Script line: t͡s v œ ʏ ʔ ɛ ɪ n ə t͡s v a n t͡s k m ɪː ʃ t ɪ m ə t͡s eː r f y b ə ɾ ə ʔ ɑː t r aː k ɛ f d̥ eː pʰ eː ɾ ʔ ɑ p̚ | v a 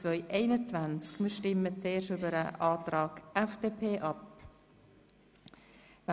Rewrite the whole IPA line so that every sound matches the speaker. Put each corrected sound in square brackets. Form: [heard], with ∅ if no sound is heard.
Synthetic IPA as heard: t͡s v œ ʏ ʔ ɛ ɪ n ə t͡s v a n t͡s k m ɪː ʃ t ɪ m ə t͡s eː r [ʃ] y b ə ɾ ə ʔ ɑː t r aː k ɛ f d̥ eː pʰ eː [∅] ʔ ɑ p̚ | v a